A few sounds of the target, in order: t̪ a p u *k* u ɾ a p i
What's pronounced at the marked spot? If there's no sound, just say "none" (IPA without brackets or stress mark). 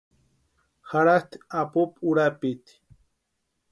p